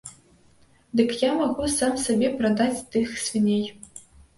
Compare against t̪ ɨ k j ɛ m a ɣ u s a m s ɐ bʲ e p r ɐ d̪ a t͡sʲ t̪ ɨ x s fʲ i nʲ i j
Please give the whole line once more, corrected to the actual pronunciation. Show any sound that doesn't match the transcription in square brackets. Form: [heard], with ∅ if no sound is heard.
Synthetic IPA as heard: [d̪] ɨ k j [a] m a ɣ u s a m s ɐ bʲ e p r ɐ d̪ a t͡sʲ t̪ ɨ x s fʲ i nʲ [e] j